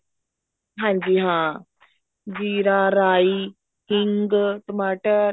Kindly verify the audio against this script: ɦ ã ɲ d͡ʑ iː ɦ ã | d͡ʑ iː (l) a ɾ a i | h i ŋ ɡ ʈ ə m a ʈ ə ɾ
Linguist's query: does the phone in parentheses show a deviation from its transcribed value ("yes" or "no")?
yes